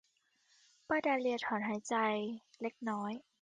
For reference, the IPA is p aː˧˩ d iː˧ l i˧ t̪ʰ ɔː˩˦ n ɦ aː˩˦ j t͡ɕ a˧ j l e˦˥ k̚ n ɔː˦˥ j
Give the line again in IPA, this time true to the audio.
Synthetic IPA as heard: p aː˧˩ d aː˧ l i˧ t̪ʰ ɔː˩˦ n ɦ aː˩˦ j t͡ɕ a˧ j l e˦˥ k̚ n ɔː˦˥ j